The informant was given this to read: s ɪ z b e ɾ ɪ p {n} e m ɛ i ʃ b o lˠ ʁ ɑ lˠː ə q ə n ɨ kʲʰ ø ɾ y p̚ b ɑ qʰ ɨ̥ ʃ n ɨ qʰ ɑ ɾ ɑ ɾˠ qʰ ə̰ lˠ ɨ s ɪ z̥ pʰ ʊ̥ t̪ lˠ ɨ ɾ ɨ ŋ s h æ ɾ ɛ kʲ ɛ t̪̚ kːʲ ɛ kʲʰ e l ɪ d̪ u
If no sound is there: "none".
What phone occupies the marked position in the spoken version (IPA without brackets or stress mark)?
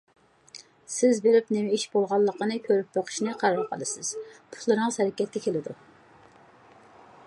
n